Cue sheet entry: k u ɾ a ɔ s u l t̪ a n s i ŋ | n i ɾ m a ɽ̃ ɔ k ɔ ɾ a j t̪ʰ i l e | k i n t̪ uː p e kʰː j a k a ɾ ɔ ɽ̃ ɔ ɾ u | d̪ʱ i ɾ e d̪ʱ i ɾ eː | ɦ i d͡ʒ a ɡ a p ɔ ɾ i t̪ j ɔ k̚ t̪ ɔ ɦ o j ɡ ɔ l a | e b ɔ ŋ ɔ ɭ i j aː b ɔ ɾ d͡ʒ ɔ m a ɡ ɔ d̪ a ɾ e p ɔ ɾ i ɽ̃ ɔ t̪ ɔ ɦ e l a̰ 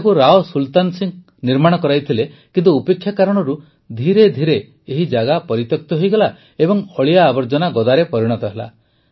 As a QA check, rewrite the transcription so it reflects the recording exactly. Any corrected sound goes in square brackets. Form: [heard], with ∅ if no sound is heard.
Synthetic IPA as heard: k u ɾ a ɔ s u l t̪ a n s i ŋ | n i ɾ m a ɽ̃ ɔ k ɔ ɾ a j t̪ʰ i l e | k i n t̪ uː p e kʰː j a k a ɾ ɔ ɽ̃ ɔ ɾ u | d̪ʱ i ɾ e d̪ʱ i ɾ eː | ɦ i d͡ʒ a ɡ a p ɔ ɾ i t̪ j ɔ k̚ t̪ ɔ ɦ o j ɡ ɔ l a | e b ɔ ŋ ɔ ɭ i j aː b ɔ ɾ d͡ʒ ɔ [n] a ɡ ɔ d̪ a ɾ e p ɔ ɾ i ɽ̃ ɔ t̪ ɔ ɦ e l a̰